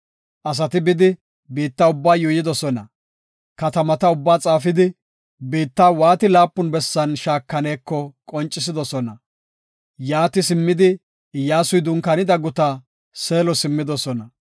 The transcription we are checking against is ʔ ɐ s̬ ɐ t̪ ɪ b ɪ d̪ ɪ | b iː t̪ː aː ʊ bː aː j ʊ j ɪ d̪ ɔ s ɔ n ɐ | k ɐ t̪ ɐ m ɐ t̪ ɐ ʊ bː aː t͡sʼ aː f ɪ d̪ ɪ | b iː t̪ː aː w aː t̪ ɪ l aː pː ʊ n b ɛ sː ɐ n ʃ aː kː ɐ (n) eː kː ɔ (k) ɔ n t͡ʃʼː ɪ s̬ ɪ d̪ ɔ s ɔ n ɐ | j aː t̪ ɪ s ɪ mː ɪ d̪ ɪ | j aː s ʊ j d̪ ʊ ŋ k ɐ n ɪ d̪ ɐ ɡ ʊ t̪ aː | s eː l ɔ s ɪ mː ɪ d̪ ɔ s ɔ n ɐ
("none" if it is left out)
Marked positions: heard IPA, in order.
n, kʼ

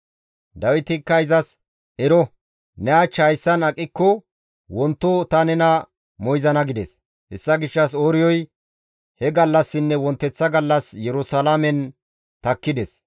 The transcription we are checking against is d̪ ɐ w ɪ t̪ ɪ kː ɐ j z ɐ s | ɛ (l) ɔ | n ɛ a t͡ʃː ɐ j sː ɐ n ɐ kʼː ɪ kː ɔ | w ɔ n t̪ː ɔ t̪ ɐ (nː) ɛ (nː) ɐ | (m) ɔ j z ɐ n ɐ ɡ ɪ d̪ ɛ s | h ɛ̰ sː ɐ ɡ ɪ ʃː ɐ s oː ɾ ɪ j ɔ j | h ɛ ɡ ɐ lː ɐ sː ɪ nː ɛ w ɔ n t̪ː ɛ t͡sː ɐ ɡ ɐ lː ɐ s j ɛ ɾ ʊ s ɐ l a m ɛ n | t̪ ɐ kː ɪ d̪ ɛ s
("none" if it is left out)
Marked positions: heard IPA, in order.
ɾ, n, n, m

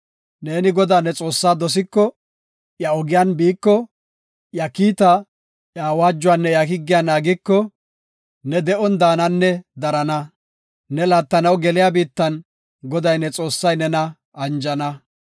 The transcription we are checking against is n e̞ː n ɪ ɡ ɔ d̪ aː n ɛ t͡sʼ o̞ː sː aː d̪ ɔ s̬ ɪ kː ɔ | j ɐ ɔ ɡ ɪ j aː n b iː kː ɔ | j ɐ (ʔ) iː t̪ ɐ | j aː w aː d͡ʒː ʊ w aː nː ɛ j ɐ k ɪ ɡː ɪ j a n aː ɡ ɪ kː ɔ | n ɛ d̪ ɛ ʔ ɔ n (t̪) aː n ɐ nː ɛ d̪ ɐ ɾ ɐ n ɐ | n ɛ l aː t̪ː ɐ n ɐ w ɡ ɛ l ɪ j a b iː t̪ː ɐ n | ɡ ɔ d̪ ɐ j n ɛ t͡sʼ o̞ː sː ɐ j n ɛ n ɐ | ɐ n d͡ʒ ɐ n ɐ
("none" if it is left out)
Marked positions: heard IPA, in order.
k, d̪

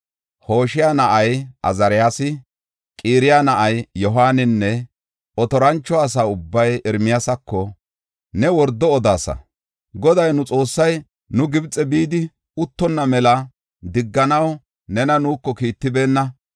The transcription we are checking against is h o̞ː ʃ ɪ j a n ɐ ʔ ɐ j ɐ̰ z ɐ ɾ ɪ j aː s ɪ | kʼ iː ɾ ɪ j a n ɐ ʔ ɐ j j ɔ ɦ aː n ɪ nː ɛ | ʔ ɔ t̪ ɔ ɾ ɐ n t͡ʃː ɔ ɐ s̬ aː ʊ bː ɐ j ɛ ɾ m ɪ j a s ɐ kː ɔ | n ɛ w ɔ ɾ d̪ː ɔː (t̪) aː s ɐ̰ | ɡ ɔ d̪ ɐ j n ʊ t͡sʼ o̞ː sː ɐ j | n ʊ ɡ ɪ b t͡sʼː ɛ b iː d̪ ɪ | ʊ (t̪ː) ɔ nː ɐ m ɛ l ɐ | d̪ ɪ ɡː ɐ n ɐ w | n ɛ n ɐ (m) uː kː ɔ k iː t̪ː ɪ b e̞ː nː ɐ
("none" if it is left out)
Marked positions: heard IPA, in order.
d̪, t̪ː, n

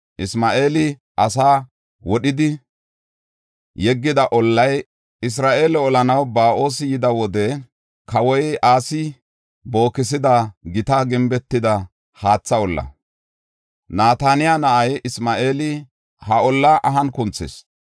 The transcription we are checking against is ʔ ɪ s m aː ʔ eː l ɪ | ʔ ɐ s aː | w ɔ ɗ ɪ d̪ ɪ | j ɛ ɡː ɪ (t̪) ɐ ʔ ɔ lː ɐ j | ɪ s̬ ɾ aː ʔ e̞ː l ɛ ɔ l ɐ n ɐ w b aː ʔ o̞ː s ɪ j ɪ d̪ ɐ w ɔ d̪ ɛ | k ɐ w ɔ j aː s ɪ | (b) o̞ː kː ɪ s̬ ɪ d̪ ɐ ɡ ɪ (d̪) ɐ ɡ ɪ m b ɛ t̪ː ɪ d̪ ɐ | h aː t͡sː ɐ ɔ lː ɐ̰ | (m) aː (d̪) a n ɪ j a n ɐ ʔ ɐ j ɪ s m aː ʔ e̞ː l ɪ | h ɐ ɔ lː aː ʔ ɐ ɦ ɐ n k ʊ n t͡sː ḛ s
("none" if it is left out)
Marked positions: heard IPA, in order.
d̪, b, t̪, n, t̪

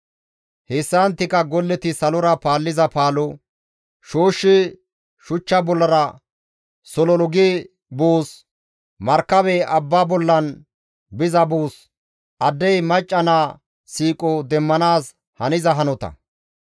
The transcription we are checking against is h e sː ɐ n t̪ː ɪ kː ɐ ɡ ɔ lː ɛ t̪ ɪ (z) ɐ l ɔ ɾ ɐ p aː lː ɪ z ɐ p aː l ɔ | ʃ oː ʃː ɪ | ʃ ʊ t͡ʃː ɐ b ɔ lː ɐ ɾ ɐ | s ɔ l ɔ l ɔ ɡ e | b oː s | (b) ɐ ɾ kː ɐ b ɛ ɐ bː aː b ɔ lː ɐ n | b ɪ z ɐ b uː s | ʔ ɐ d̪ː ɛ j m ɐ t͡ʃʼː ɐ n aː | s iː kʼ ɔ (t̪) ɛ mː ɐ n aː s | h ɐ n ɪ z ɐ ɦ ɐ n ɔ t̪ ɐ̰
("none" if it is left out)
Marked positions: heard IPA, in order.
s, m, d̪

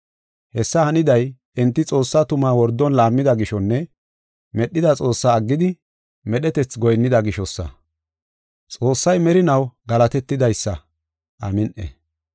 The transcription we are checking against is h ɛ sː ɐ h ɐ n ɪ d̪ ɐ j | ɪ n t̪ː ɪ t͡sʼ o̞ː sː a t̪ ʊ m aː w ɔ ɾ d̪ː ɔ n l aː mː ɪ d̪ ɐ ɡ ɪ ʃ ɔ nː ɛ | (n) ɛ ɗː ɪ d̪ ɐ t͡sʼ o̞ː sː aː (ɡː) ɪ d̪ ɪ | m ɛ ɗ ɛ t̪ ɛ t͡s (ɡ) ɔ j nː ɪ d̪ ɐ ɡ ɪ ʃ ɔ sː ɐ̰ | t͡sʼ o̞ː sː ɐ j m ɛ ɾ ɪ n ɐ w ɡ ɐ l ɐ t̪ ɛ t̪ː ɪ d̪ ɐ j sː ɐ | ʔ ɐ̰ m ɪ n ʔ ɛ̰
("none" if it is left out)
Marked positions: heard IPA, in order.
m, ɡː, ɡ

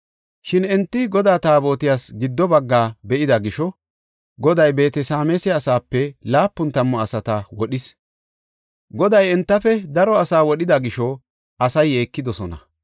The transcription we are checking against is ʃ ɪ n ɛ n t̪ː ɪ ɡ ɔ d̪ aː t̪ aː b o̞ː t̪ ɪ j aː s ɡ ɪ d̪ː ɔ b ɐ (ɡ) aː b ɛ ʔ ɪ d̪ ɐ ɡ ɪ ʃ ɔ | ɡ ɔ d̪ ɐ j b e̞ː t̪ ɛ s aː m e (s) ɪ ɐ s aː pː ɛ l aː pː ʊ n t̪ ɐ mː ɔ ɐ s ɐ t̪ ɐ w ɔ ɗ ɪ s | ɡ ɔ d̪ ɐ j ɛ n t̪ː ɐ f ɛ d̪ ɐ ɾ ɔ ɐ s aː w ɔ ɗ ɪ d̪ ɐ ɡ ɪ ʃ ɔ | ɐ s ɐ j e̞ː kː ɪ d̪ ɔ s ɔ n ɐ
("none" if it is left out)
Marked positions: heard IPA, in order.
ɡː, s

